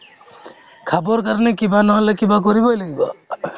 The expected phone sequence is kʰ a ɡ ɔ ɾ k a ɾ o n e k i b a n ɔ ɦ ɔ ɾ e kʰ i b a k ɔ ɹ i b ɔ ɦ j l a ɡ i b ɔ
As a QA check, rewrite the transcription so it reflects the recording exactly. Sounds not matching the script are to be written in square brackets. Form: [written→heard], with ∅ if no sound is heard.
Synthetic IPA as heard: kʰ a [ɡ→b] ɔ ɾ k a ɾ [o→ɔ] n e k i b a n ɔ ɦ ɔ [ɾ→l] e [kʰ→k] i b a k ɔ [ɹ→ɾ] i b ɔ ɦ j l a ɡ i b ɔ